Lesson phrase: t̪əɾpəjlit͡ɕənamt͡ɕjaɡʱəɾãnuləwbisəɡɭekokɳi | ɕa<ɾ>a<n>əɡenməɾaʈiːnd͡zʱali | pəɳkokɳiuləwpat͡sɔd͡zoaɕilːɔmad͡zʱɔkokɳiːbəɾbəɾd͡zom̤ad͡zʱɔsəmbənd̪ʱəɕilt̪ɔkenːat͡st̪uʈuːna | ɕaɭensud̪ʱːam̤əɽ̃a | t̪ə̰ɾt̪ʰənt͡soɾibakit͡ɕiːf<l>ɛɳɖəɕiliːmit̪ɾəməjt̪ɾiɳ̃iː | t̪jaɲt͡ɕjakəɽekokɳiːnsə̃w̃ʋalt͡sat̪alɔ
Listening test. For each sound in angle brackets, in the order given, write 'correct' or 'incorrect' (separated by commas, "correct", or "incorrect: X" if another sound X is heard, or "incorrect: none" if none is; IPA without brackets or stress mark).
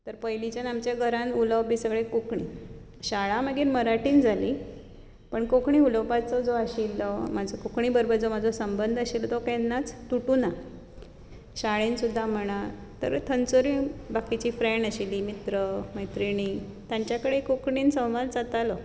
incorrect: ɭ, incorrect: m, incorrect: ɾ